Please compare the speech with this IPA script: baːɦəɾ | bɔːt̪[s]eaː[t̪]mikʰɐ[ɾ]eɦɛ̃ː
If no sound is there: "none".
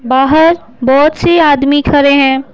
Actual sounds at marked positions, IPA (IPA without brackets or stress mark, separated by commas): s, d̪, ɾ